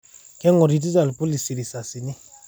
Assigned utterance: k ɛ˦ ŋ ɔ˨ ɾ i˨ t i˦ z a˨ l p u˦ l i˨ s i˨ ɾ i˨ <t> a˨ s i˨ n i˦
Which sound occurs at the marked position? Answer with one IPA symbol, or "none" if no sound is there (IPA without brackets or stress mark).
s